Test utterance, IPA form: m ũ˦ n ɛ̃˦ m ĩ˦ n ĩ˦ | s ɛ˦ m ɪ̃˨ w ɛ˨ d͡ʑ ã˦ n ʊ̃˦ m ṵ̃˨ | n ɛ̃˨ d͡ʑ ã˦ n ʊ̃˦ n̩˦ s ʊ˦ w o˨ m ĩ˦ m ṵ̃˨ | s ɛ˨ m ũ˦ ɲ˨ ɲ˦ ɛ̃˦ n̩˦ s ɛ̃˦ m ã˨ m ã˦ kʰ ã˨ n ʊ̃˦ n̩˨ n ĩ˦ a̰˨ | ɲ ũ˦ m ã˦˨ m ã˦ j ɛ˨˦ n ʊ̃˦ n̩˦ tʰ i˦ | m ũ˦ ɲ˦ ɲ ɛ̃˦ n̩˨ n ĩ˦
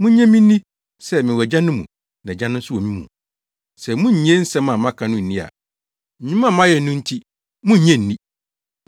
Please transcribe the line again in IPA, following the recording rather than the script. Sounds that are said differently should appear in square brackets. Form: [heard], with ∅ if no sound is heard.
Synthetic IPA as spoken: m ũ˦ [ɲ] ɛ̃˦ m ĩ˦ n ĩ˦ | s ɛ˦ m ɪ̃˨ w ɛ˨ d͡ʑ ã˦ n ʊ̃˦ m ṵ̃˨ | n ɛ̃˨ d͡ʑ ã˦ n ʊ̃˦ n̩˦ s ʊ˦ w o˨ m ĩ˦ m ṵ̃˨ | s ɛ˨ m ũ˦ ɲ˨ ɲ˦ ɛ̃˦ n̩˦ s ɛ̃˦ m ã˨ m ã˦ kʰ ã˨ n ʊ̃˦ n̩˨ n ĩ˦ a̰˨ | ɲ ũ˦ m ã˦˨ m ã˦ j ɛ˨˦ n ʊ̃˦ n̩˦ tʰ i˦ | m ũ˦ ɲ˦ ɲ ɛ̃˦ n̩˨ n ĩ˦